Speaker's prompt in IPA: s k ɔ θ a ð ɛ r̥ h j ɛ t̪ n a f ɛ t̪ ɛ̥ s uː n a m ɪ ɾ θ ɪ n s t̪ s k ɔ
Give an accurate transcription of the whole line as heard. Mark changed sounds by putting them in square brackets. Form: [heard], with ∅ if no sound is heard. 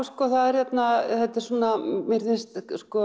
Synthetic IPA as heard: s k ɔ θ a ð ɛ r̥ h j ɛ t̪ n a [θ] ɛ t̪ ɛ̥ s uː n a m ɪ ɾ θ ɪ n s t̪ s k ɔ